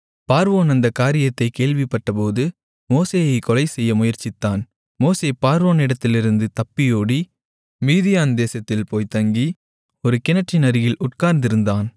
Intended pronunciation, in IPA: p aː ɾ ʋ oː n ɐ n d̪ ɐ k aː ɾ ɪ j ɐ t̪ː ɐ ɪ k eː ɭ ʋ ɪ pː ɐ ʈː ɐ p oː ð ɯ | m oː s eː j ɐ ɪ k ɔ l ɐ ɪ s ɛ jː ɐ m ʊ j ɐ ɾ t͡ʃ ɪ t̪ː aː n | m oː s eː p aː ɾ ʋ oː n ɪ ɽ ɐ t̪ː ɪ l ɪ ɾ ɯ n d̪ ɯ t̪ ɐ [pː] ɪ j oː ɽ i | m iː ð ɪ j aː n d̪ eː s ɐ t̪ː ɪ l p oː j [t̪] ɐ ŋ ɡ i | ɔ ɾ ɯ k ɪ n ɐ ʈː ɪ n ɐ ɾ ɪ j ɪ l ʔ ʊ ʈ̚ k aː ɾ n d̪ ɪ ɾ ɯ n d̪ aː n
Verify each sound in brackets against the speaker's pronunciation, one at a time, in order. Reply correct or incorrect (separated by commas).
correct, correct